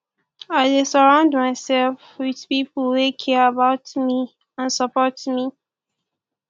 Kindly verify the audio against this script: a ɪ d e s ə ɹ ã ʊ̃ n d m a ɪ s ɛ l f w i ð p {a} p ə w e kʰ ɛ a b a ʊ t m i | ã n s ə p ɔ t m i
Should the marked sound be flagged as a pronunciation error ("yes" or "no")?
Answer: yes